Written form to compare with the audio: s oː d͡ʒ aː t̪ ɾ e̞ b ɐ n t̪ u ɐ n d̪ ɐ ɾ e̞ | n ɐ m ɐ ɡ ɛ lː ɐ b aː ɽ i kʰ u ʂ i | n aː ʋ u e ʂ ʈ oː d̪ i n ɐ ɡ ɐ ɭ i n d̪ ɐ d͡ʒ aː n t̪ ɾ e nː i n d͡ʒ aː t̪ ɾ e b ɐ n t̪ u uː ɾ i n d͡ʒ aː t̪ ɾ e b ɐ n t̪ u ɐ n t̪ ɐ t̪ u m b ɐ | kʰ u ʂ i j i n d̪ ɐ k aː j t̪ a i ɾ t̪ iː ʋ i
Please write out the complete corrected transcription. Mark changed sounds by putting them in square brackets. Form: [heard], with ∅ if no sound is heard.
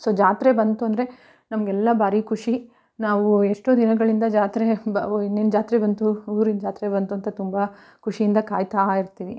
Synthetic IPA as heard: s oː d͡ʒ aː t̪ ɾ e̞ b ɐ n t̪ u ɐ n d̪ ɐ ɾ e̞ | n ɐ m ɐ ɡ ɛ lː ɐ b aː [ɾ] i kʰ u ʂ i | n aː ʋ u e ʂ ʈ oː d̪ i n ɐ ɡ ɐ ɭ i n d̪ ɐ d͡ʒ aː [∅] t̪ ɾ e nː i n d͡ʒ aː t̪ ɾ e b ɐ n t̪ u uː ɾ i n d͡ʒ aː t̪ ɾ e b ɐ n t̪ u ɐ n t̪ ɐ t̪ u m b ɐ | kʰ u ʂ i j i n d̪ ɐ k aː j t̪ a i ɾ t̪ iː ʋ i